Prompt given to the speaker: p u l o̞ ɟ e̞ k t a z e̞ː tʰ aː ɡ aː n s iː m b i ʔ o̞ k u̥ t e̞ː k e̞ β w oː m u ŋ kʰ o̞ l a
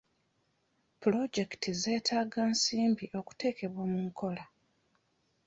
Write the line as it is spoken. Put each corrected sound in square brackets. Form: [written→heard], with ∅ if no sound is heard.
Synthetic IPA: p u l o̞ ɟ e̞ k t [a→i] z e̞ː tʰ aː ɡ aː n s iː m b i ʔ o̞ k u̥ t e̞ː k e̞ β w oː m u ŋ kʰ o̞ l a